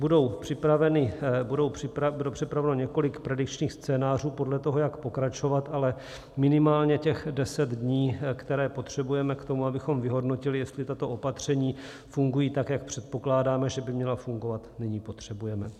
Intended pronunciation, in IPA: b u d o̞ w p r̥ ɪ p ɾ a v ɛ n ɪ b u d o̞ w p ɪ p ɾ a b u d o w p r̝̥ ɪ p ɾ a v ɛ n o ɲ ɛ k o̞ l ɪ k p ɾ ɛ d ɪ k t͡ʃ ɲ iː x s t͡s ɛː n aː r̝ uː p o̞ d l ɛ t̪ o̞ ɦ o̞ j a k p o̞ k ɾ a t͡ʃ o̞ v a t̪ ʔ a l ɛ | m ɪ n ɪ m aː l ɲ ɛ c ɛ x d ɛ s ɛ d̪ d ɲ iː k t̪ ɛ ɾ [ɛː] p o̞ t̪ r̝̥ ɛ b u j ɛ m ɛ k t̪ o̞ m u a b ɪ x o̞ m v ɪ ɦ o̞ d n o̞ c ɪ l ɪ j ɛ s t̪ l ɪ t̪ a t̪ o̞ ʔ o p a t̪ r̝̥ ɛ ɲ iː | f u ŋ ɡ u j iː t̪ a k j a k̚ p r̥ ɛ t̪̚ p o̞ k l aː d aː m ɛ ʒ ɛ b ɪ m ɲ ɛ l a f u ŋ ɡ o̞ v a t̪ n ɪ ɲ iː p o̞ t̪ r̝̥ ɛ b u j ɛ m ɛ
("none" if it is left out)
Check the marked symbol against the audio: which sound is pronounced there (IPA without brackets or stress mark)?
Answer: ɛː